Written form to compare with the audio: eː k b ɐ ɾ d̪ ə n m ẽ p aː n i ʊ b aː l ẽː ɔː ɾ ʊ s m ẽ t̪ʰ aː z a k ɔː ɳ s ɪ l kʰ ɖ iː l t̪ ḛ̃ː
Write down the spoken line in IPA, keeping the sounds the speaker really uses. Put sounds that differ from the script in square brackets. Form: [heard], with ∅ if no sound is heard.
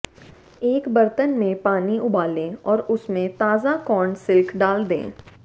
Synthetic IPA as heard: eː k b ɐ ɾ [t̪] ə n m ẽ p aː n i ʊ b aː l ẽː ɔː ɾ ʊ s m ẽ [t̪] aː z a k ɔː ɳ s ɪ l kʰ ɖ [aː] l [d̪] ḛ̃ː